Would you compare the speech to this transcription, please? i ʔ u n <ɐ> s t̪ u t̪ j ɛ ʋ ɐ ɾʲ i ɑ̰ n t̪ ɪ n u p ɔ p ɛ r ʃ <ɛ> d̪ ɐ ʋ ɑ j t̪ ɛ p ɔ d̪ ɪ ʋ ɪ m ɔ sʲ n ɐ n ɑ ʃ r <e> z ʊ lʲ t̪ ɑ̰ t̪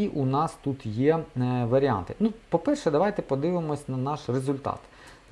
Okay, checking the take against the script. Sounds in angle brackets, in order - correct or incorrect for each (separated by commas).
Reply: incorrect, correct, correct